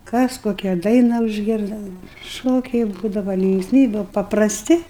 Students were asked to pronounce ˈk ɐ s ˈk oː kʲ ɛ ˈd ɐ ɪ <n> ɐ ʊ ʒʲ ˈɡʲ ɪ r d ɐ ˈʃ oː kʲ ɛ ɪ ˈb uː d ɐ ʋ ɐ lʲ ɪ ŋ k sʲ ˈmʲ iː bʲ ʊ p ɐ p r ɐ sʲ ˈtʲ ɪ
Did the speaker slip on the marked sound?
no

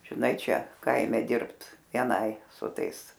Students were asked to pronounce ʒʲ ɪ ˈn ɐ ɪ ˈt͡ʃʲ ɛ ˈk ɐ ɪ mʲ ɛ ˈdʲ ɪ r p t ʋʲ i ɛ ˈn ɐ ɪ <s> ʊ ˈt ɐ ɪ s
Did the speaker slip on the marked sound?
no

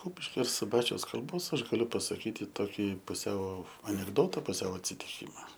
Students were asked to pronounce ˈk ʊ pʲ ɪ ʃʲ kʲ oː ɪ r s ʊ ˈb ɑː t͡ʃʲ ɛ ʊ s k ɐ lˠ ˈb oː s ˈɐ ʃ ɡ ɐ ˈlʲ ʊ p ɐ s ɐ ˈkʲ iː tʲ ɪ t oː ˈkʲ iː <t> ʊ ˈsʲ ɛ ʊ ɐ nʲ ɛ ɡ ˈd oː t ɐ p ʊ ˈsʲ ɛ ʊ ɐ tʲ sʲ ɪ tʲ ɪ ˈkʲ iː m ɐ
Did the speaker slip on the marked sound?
yes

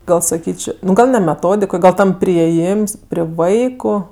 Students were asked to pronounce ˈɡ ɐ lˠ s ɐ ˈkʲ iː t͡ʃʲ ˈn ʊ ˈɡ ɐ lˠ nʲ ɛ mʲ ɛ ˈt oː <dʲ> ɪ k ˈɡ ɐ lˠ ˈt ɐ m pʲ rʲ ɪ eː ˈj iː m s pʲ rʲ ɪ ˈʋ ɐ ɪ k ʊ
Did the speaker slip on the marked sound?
no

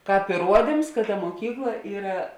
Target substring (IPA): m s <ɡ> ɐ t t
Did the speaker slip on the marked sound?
yes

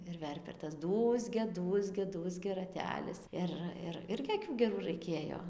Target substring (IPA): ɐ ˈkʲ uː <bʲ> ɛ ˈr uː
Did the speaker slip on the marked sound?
yes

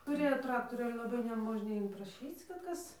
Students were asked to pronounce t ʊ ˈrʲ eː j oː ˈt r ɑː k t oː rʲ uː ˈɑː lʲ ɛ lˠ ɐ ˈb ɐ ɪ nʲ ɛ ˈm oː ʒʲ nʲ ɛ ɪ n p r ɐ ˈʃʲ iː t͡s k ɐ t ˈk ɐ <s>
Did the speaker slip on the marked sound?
no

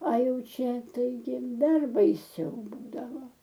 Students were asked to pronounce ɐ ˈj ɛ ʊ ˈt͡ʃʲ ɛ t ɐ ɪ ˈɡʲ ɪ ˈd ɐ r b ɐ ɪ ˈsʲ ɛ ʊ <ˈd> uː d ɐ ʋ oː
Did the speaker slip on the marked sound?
yes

